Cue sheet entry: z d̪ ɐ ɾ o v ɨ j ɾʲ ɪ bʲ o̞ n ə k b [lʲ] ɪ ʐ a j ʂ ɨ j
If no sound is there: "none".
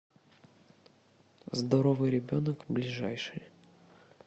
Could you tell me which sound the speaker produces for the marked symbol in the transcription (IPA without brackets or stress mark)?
lʲ